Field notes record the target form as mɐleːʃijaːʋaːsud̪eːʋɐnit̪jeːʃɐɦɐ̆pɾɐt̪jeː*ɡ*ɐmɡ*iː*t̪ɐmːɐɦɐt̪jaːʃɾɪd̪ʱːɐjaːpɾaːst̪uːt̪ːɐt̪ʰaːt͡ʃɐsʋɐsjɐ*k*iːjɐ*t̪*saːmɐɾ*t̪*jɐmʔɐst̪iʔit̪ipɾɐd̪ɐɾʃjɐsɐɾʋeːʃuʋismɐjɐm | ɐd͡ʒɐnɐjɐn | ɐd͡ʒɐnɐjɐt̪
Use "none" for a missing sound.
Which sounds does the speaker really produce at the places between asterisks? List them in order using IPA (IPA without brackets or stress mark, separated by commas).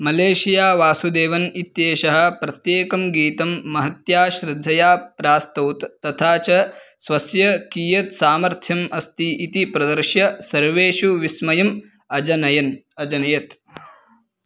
k, iː, k, t̪, t̪ʰ